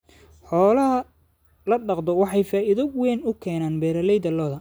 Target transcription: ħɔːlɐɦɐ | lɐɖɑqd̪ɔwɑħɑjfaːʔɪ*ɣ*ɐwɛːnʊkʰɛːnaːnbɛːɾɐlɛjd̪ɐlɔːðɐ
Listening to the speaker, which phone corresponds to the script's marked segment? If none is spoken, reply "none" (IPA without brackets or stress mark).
ð